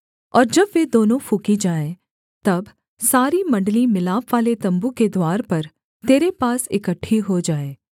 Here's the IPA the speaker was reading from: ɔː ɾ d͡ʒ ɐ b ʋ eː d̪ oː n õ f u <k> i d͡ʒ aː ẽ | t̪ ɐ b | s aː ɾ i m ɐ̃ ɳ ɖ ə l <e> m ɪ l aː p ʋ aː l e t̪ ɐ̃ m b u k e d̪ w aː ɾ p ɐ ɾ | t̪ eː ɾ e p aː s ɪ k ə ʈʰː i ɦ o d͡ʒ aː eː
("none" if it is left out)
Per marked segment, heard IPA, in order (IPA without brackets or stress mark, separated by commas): k, i